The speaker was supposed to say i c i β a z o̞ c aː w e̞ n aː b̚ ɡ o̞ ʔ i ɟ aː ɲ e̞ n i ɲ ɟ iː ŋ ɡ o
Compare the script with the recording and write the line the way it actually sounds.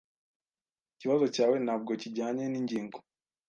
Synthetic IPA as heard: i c i β a z o̞ c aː w e̞ n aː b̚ ɡ o̞ c i ɟ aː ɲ e̞ n i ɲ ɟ iː ŋ ɡ o

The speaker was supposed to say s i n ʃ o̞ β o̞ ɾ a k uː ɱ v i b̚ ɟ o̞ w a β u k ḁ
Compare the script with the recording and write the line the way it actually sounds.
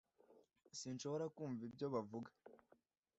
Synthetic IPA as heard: s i n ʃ o̞ β o̞ ɾ a k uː ɱ v i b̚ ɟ o̞ β a v u ɡ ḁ

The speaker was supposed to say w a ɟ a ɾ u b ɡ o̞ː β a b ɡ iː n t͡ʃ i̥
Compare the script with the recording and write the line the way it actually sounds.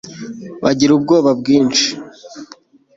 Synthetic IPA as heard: β a ɟ i ɾ u b ɡ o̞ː β a b ɡ iː n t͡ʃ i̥

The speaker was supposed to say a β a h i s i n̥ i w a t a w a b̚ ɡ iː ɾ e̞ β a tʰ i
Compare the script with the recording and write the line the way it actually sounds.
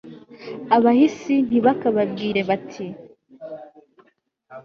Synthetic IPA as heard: a β a h i s i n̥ i β a k a β a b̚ ɡ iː ɾ e̞ β a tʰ i

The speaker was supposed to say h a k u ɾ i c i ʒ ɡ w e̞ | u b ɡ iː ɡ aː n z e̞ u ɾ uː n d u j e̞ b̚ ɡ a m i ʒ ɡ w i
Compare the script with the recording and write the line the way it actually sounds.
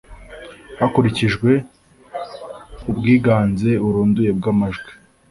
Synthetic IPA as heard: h a k u ɾ i c i ʒ ɡ w e̞ | u b ɡ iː ɡ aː n z e̞ u ɾ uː n d u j e̞ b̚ ɡ a m a ʒ ɡ w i

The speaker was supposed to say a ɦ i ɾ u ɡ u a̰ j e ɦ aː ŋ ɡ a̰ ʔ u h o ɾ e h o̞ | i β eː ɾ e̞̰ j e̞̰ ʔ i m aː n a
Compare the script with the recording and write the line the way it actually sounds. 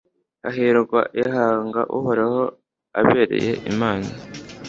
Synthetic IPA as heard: a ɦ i ɾ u ɡ w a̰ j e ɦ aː ŋ ɡ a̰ ʔ u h o ɾ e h o̞ | a β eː ɾ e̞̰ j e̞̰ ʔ i m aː n a

